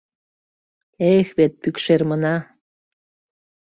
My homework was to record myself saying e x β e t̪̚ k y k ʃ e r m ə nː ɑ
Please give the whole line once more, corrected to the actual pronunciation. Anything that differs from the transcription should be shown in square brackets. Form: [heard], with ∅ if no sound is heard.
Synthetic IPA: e x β e t̪̚ [p] y k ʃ e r m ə [n] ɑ